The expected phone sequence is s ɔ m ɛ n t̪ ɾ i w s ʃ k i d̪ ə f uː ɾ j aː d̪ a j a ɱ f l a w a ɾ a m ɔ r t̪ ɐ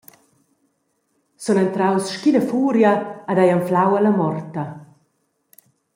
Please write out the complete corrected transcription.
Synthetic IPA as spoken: s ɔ n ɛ n t̪ ɾ a w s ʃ k i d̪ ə f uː ɾ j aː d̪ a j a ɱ f l a w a l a m ɔ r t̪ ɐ